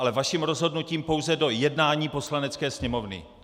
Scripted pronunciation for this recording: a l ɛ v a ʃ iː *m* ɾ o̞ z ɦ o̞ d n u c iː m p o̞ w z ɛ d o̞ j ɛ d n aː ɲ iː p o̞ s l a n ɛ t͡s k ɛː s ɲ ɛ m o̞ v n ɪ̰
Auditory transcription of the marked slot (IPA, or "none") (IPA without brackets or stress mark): m